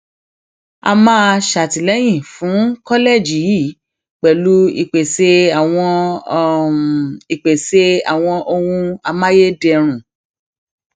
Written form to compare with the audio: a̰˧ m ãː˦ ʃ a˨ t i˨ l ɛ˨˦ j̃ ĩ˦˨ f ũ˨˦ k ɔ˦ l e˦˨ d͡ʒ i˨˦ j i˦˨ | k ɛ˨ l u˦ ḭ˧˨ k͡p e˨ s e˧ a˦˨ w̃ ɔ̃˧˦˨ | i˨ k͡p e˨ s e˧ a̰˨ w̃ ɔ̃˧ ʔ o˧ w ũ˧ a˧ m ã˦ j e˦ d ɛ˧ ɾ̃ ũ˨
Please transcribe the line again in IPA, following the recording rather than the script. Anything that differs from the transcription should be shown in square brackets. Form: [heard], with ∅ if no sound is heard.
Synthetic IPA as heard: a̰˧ m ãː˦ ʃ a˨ t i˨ l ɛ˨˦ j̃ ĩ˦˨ f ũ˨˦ k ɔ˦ l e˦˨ d͡ʒ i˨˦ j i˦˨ | [k͡p] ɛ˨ l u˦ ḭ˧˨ k͡p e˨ s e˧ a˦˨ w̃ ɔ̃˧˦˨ | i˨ k͡p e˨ s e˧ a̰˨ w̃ ɔ̃˧ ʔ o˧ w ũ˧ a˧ m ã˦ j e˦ d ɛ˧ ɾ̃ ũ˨